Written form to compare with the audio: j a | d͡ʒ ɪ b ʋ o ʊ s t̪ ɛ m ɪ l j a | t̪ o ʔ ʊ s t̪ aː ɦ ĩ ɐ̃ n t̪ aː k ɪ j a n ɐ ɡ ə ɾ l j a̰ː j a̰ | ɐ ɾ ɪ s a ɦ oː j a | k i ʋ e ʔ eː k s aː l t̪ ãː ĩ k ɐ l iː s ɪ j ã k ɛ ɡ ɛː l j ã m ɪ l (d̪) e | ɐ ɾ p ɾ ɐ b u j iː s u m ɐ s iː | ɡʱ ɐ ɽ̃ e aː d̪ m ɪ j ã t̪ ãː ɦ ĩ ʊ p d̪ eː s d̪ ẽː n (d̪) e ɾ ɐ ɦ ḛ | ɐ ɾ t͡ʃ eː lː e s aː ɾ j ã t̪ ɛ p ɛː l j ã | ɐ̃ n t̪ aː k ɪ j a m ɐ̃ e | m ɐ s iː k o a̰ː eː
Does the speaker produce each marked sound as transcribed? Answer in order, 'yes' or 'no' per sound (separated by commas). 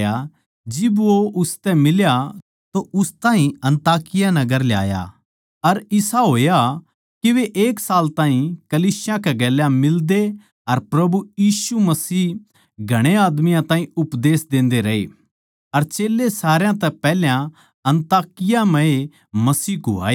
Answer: yes, yes